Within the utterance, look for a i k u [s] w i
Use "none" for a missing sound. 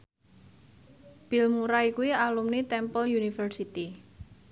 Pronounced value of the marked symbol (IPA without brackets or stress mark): none